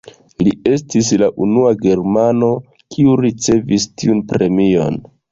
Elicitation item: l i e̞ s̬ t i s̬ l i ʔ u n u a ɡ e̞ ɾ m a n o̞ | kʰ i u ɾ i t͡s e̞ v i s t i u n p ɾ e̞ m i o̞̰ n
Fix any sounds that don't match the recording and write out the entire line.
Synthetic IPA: l i e̞ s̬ t i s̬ l a ʔ u n u a ɡ e̞ ɾ m a n o̞ | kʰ i u ɾ i t͡s e̞ v i s t i u n p ɾ e̞ m i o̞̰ n